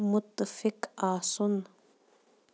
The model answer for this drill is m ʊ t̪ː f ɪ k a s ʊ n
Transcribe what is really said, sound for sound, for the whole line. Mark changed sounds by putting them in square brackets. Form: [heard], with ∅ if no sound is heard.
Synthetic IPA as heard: m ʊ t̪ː f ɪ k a s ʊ n